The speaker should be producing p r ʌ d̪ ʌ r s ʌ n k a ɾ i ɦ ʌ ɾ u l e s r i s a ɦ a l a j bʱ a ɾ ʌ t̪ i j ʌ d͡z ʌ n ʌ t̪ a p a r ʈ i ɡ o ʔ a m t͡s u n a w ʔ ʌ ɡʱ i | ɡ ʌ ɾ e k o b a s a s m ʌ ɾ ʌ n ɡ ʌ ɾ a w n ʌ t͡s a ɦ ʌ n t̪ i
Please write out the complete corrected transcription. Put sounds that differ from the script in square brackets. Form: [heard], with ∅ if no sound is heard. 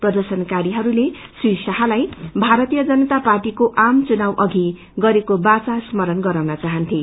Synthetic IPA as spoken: p r ʌ d̪ ʌ r s ʌ n k a ɾ i ɦ ʌ ɾ u l e s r i s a ɦ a l a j bʱ a ɾ ʌ t̪ i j ʌ d͡z ʌ n ʌ t̪ a p a r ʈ i [k] o ʔ a m t͡s u n a w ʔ ʌ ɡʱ i | ɡ ʌ ɾ e k o b a [t͡s] a s m ʌ ɾ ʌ n ɡ ʌ ɾ a w n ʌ t͡s a ɦ ʌ n [t̪ʰ] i